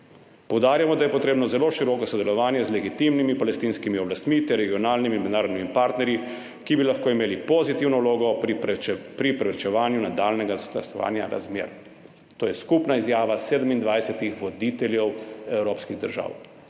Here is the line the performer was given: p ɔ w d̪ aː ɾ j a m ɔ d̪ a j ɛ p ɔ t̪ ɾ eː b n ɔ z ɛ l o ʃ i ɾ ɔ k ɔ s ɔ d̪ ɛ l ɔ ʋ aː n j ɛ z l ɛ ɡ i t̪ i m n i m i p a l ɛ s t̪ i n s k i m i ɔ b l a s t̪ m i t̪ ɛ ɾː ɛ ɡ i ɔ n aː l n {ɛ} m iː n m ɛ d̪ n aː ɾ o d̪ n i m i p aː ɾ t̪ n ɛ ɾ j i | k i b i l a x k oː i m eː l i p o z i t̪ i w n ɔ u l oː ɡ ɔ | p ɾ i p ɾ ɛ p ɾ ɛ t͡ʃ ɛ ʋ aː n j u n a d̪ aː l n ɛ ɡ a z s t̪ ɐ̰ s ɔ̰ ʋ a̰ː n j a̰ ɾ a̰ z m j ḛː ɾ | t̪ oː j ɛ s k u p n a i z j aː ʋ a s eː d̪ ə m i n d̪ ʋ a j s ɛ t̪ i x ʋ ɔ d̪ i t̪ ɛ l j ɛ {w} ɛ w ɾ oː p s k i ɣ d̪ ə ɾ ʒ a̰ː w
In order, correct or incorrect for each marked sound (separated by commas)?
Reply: incorrect, correct